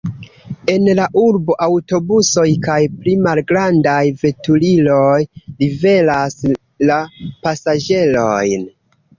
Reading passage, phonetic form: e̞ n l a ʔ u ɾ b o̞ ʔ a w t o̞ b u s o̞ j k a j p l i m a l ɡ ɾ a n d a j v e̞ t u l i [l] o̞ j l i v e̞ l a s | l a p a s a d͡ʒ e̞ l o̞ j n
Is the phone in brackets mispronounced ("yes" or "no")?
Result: no